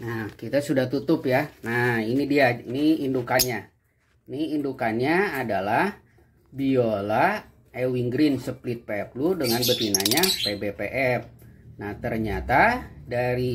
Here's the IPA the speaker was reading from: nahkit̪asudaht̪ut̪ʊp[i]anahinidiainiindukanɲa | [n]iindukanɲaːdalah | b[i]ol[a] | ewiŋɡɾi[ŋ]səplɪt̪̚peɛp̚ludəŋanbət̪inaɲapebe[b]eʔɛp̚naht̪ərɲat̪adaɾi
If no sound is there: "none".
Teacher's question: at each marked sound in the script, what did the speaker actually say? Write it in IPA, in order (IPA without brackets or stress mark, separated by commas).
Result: j, n, i, a, n, p